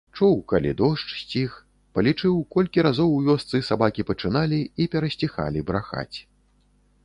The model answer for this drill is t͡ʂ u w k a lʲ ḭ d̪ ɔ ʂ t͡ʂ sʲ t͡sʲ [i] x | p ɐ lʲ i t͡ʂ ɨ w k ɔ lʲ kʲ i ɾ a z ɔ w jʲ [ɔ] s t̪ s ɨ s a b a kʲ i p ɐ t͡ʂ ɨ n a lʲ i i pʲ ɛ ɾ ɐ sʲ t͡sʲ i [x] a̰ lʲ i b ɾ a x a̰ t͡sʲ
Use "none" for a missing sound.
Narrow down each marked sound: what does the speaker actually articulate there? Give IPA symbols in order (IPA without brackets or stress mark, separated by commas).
i, ɔ, x